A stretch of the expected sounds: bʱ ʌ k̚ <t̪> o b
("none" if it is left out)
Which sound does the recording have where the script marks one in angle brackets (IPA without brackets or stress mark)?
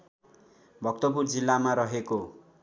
t̪